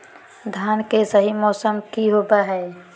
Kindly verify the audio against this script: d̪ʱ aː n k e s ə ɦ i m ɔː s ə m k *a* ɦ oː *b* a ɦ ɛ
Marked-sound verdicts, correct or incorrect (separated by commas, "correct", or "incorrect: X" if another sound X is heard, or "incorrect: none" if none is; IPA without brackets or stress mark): incorrect: i, correct